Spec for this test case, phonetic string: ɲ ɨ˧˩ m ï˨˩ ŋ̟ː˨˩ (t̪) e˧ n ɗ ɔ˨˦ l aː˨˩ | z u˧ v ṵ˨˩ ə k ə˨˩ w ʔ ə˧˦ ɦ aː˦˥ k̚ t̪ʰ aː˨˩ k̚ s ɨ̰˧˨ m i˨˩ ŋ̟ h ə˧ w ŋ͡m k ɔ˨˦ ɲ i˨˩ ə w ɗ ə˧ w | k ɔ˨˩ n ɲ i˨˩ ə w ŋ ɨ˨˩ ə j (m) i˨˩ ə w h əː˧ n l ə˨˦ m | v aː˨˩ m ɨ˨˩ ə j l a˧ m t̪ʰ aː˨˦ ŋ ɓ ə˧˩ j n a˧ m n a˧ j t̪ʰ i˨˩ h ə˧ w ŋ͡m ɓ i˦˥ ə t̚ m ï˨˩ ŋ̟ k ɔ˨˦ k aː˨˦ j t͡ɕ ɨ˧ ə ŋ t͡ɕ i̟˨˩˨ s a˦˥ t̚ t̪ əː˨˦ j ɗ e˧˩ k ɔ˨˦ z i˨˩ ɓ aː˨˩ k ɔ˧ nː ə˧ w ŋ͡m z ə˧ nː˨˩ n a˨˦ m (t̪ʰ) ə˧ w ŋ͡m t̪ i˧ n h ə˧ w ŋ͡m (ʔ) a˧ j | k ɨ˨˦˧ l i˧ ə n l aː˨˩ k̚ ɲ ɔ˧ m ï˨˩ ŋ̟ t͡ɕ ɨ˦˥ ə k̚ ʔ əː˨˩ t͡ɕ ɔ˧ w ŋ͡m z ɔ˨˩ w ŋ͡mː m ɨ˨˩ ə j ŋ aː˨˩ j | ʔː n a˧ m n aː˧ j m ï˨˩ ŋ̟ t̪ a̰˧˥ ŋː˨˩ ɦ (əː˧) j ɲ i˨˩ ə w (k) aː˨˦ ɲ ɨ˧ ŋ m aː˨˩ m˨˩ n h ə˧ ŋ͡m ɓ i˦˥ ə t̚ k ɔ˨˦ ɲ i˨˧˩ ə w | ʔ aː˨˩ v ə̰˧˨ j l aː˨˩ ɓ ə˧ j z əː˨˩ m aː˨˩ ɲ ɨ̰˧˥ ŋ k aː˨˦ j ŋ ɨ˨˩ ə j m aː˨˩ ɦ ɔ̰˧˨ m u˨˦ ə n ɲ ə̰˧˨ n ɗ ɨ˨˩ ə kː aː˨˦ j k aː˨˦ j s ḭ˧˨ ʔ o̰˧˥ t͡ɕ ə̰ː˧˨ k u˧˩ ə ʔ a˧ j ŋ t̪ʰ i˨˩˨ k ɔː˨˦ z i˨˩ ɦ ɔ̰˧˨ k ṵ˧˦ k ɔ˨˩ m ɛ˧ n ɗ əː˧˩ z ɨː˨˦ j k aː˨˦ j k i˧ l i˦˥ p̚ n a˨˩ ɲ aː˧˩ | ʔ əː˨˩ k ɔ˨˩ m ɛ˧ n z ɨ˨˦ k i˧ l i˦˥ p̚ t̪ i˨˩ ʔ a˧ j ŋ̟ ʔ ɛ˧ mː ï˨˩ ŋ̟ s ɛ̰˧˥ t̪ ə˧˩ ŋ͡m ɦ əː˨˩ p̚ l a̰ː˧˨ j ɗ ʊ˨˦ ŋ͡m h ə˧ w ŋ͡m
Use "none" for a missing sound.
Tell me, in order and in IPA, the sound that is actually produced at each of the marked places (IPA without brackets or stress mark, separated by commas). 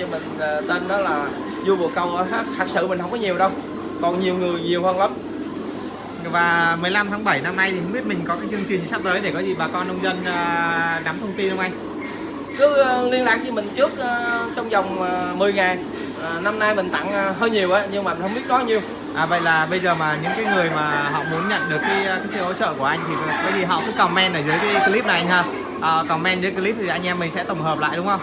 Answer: t̪, ɲ, t̪ʰ, ʔ, əː˧, ʔ